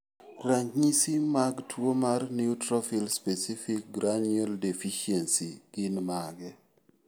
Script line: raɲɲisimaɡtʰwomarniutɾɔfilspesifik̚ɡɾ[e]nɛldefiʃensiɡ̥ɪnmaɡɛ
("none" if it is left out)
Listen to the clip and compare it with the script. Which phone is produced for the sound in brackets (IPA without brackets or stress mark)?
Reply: a